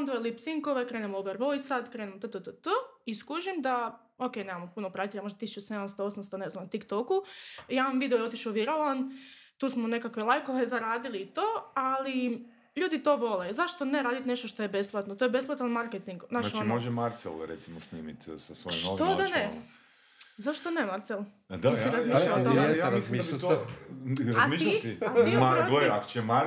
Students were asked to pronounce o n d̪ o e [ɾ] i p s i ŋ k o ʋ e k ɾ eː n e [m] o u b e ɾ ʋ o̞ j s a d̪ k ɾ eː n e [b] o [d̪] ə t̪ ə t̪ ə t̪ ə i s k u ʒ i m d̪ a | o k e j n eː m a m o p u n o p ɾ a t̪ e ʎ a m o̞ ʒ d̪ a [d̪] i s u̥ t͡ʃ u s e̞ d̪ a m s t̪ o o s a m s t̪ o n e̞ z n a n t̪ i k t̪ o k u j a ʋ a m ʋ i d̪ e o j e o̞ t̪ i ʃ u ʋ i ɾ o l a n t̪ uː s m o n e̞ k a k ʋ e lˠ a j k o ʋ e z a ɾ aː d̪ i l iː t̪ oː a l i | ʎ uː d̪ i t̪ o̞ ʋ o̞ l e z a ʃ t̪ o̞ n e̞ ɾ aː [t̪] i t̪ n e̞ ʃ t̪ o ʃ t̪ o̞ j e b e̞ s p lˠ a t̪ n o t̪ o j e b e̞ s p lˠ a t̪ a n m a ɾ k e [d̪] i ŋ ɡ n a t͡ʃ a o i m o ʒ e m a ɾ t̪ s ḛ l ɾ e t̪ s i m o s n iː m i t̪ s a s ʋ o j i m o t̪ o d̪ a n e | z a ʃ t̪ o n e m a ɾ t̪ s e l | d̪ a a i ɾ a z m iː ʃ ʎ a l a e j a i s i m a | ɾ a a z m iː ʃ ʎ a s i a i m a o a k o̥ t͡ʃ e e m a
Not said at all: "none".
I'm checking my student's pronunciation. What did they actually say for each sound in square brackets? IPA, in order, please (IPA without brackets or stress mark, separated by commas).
l, m, m, t̪, t̪, d̪, t̪